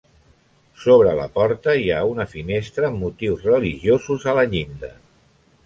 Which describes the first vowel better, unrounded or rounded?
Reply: rounded